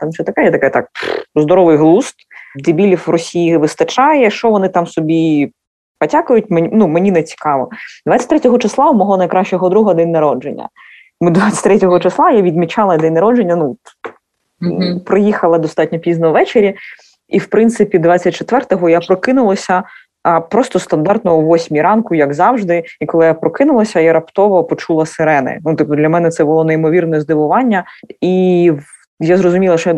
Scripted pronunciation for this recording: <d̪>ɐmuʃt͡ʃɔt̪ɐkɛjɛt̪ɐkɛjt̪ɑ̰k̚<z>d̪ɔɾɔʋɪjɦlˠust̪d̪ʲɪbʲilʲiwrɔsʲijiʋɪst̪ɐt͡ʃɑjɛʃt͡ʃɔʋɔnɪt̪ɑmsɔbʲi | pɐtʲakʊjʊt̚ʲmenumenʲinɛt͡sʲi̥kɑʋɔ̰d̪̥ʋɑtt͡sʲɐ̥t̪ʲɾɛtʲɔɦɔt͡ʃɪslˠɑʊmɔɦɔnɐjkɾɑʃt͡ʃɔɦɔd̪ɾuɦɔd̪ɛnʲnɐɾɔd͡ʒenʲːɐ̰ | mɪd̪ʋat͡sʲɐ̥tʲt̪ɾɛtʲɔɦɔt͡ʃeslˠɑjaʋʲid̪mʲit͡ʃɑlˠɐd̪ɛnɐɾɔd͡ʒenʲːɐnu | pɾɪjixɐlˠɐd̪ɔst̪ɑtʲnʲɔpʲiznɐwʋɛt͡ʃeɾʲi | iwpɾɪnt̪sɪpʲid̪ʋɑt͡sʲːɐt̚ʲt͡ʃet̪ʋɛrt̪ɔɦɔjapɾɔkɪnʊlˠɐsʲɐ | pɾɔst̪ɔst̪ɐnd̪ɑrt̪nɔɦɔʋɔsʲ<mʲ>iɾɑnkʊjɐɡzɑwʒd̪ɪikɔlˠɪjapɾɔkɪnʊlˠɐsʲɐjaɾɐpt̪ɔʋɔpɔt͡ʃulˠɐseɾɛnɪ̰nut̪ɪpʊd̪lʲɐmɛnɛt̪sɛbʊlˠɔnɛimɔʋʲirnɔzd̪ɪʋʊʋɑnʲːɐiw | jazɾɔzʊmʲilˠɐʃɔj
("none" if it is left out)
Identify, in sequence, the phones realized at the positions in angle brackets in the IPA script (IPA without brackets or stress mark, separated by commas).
t̪, z, mʲ